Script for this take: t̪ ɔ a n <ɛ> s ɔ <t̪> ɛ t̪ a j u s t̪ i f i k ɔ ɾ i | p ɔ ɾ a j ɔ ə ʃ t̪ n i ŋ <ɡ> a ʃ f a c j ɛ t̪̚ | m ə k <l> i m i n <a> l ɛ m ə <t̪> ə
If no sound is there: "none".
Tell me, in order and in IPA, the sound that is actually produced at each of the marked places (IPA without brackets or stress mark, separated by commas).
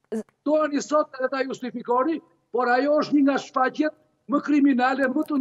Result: i, t̪, ɡ, ɾ, a, t̪